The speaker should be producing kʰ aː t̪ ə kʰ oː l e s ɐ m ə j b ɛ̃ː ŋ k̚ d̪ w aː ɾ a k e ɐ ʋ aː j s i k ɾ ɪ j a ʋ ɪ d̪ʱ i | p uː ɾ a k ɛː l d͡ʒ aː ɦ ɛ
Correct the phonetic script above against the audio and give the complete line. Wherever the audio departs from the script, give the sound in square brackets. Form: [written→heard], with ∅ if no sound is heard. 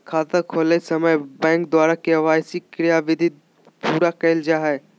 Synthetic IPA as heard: kʰ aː t̪ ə kʰ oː l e s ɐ m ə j b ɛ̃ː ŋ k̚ d̪ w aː ɾ a k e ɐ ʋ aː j s i k ɾ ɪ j a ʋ ɪ d̪ʱ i | p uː ɾ a k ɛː l d͡ʒ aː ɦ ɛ